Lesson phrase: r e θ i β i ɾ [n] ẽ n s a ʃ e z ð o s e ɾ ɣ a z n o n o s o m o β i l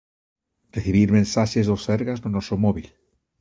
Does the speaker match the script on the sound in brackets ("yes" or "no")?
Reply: no